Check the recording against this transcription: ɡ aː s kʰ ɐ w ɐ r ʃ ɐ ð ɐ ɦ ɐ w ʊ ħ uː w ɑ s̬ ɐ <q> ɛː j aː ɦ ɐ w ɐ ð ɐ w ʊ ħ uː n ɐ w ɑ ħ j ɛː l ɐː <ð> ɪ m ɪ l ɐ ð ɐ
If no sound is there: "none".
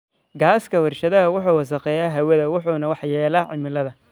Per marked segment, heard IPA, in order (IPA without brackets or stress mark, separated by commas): q, ʕ